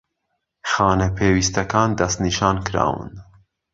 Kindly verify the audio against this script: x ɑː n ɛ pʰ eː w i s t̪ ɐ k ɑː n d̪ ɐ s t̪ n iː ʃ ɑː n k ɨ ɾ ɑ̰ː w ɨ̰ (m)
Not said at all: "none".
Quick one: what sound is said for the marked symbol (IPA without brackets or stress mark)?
n